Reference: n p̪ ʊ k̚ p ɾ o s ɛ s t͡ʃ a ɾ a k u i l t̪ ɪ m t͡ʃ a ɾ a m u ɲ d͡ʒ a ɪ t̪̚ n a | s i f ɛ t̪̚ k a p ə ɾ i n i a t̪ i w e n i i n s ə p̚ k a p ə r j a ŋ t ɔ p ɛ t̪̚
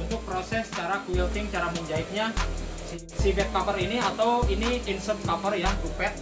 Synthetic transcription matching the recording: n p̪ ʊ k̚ p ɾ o s ɛ s t͡ʃ a ɾ a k u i l t̪ ɪ ŋ t͡ʃ a ɾ a m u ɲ d͡ʒ a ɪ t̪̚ ɲ a | s i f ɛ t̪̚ k a p ə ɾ i n i a t̪ a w i n i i n s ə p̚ k a p ə r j a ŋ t u p ɛ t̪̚